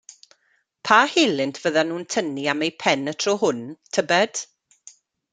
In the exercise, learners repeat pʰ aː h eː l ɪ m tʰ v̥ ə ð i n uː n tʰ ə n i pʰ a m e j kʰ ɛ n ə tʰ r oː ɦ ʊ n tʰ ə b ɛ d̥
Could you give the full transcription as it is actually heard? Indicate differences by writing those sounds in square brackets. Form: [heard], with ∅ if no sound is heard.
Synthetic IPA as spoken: pʰ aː h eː l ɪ [n] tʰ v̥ ə ð [a] n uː n tʰ ə n i [∅] a m e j [pʰ] ɛ n ə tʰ r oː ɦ ʊ n tʰ ə b ɛ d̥